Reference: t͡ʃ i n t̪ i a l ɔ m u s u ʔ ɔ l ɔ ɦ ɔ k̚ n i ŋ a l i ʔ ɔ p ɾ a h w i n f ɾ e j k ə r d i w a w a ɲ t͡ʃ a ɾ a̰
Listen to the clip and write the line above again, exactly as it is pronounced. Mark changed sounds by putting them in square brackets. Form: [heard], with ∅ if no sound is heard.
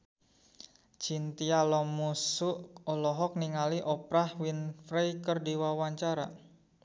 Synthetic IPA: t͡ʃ i n t̪ i a l ɔ m u s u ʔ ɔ l ɔ ɦ ɔ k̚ n i ŋ a l i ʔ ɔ p ɾ a h w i n f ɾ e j k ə r d i w a w a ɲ t͡ʃ a ɾ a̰